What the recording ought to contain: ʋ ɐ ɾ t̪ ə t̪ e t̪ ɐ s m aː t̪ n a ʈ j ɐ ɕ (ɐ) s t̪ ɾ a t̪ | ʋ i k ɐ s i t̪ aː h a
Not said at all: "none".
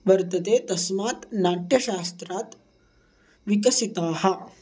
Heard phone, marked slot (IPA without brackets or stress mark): a